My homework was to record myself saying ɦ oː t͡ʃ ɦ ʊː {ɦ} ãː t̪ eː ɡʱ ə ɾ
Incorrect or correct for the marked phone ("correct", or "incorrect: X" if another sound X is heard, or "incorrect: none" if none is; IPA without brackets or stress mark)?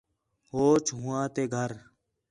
incorrect: none